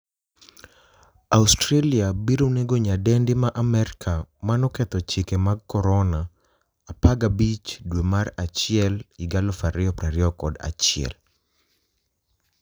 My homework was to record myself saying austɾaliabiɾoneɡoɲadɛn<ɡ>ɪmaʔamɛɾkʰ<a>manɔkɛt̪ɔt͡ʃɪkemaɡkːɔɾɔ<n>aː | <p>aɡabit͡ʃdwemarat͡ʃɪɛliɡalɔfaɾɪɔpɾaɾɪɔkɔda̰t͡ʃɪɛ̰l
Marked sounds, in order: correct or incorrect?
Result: incorrect: d, correct, correct, correct

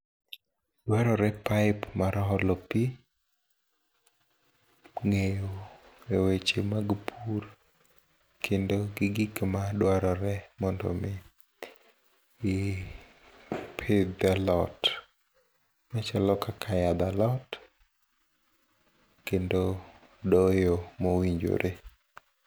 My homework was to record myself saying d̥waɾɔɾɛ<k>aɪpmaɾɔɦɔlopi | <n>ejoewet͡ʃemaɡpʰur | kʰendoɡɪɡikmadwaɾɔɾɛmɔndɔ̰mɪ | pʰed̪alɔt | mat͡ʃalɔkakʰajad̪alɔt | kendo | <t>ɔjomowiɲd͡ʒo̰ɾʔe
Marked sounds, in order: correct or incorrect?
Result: incorrect: p, incorrect: ŋ, incorrect: d

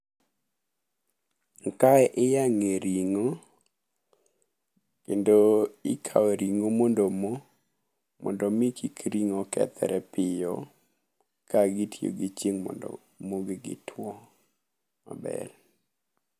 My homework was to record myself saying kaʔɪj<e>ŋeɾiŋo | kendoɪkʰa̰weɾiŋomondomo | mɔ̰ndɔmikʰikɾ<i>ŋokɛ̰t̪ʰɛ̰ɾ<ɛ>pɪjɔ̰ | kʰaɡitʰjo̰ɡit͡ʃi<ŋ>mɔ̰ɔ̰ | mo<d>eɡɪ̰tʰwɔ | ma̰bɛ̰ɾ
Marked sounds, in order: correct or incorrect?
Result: incorrect: a, correct, correct, correct, incorrect: ɡ

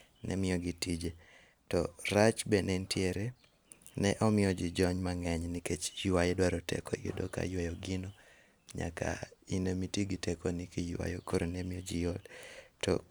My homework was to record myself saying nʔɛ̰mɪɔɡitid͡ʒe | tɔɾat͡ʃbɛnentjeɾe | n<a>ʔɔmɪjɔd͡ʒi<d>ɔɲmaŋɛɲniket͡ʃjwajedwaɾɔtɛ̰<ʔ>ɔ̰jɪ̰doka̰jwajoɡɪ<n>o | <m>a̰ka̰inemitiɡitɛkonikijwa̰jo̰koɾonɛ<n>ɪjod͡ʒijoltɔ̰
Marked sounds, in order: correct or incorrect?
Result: incorrect: ɛ, incorrect: d͡ʒ, incorrect: k, correct, incorrect: ɲ, incorrect: m

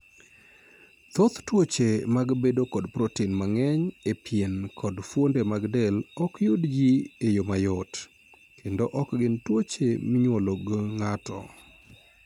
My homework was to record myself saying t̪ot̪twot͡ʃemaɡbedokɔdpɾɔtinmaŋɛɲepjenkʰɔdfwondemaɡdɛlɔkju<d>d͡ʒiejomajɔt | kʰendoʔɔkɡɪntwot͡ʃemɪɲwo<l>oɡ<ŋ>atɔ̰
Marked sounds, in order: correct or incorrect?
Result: correct, correct, correct

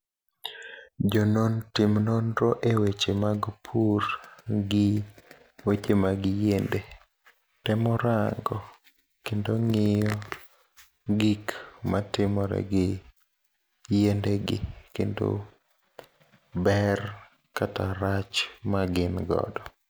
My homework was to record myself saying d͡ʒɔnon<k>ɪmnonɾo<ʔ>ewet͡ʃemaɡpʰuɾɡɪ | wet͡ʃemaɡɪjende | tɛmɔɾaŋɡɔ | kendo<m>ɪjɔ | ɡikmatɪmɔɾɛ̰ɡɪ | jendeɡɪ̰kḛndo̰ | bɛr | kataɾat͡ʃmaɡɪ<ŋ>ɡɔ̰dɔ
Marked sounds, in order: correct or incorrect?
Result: incorrect: t, correct, incorrect: ŋ, incorrect: n

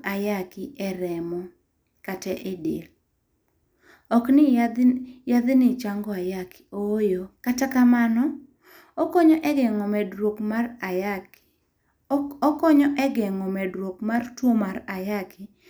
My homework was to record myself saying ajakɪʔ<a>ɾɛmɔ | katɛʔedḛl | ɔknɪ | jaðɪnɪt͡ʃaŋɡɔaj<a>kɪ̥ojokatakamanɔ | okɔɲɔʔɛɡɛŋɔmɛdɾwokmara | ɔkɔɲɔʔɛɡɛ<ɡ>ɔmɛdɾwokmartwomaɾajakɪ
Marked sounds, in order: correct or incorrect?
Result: incorrect: ɛ, correct, incorrect: ŋ

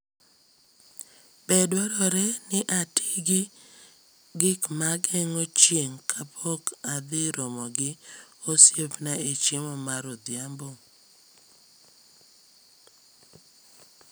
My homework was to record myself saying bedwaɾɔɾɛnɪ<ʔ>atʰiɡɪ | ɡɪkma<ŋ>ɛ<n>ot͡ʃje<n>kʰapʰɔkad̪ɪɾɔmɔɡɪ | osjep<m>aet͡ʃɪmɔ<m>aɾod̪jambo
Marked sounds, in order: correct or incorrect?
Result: correct, incorrect: ɡ, incorrect: ŋ, incorrect: ŋ, incorrect: n, correct

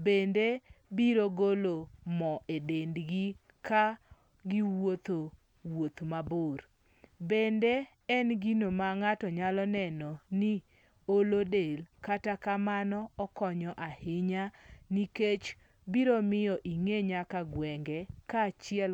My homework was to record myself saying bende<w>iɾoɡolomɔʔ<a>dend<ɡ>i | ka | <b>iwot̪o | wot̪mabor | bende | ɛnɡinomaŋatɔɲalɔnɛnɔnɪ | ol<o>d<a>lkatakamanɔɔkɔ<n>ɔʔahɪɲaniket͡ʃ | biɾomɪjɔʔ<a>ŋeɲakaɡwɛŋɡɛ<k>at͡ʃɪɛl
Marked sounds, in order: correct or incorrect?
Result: incorrect: b, incorrect: e, correct, incorrect: ɡ, correct, incorrect: e, incorrect: ɲ, incorrect: i, correct

